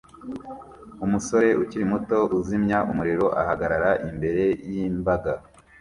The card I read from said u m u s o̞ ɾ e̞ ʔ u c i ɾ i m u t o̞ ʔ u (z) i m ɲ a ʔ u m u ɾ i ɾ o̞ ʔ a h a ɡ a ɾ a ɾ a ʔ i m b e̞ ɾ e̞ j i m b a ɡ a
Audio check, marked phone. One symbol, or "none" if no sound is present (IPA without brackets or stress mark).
z